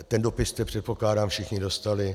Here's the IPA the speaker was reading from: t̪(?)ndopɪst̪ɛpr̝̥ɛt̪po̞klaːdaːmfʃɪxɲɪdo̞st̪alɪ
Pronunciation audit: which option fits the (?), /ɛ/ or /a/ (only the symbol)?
ɛ